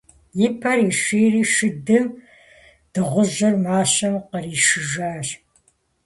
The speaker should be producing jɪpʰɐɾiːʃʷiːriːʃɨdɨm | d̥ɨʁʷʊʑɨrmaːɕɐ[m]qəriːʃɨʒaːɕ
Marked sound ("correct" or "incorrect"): correct